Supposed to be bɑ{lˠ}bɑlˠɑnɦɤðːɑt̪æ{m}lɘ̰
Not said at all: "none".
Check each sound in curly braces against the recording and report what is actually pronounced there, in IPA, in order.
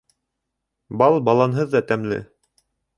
lˠ, m

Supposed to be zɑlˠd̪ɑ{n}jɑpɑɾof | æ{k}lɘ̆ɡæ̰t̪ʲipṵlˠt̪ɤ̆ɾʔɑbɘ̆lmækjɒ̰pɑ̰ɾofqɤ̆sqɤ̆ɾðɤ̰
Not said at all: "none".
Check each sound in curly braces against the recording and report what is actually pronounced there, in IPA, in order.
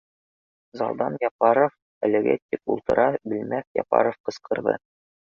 n, none

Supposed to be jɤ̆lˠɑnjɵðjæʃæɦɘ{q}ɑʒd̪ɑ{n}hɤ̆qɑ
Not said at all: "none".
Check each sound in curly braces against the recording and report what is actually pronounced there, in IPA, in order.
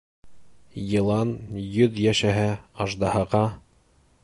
none, none

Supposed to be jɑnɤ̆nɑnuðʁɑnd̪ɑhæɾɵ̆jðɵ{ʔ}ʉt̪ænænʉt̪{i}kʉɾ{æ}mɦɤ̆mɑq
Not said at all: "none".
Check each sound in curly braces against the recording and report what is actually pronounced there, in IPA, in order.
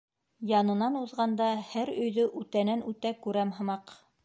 ʔ, æ, æ

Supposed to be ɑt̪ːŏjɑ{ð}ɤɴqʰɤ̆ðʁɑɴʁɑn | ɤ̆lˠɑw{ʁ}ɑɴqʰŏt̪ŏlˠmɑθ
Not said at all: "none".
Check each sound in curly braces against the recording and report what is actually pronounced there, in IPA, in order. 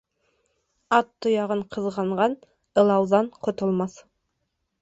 ʁ, ð

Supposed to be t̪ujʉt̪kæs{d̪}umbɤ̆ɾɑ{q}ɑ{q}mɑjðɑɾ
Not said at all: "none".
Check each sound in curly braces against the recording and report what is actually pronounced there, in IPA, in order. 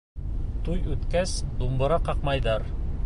d̪, q, q

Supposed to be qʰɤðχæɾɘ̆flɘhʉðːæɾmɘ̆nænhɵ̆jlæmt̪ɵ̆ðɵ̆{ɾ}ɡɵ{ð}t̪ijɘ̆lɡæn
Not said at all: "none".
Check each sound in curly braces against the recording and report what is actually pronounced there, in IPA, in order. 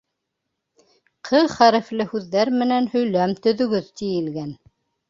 none, ð

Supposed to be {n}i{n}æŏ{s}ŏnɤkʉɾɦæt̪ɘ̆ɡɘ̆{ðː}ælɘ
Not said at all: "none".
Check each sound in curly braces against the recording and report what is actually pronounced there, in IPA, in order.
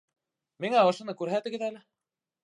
m, ŋ, ʃ, ð

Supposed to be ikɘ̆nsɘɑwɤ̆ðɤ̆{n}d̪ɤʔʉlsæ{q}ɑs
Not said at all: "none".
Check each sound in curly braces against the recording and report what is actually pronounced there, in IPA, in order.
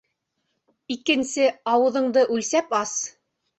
ɴ, p

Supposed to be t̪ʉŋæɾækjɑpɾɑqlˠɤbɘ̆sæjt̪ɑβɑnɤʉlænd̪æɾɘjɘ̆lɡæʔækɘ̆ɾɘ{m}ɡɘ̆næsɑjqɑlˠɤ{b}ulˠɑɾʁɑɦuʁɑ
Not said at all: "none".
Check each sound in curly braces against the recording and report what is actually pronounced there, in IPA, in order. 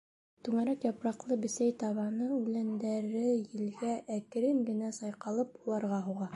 ŋ, p

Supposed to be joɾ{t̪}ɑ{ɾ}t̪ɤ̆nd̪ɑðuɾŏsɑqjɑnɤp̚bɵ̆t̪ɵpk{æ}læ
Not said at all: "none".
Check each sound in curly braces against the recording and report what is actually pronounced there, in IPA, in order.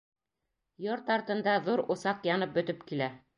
t̪, ɾ, i

